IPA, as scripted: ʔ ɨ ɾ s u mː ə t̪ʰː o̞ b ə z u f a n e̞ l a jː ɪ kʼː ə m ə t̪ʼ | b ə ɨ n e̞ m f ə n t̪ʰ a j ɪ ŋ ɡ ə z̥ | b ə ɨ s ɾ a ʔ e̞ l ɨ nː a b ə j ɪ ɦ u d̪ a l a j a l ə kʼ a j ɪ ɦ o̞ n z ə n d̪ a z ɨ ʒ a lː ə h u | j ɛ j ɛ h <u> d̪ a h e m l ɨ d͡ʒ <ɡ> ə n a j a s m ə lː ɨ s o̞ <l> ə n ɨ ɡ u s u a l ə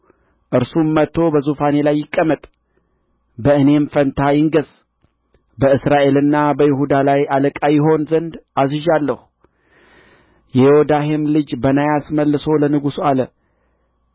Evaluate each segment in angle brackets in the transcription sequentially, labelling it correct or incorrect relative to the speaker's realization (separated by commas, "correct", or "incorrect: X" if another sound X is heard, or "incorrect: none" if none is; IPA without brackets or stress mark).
incorrect: o, incorrect: b, correct